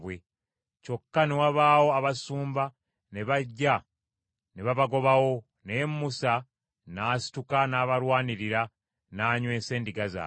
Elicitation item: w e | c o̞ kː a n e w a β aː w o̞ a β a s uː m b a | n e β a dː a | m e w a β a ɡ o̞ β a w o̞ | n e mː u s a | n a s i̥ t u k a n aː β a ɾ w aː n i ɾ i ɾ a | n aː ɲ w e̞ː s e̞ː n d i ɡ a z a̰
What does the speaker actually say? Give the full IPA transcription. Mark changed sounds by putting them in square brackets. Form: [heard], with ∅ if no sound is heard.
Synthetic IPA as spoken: w e | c o̞ kː a n e w a β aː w o̞ a β a s uː m b a | n e β a [ɟː] a | [n] e [β] a β a ɡ o̞ β a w o̞ | n e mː u s a | n a s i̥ t u k a n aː β a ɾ w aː n i ɾ i ɾ a | n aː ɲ w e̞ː s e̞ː n d i ɡ a z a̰